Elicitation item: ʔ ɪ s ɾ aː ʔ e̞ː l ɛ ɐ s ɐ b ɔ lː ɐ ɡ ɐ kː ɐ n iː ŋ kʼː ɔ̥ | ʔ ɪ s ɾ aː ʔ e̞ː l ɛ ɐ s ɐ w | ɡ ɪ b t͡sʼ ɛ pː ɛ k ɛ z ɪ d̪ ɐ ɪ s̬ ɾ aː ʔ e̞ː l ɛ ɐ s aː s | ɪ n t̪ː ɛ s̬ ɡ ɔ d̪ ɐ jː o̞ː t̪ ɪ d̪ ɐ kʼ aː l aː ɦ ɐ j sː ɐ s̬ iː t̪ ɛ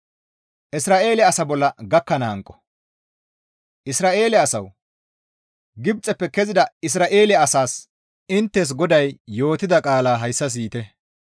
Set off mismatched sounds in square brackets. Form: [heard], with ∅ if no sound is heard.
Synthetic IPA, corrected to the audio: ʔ ɪ s ɾ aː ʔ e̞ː l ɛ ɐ s ɐ b ɔ lː ɐ ɡ ɐ kː ɐ n [aː] ŋ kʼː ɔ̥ | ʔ ɪ s ɾ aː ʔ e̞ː l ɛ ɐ s ɐ w | ɡ ɪ b t͡sʼ ɛ pː ɛ k ɛ z ɪ d̪ ɐ ɪ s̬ ɾ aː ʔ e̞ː l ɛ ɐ s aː s | ɪ n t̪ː ɛ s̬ ɡ ɔ d̪ ɐ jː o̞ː t̪ ɪ d̪ ɐ kʼ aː l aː ɦ ɐ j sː ɐ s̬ iː t̪ ɛ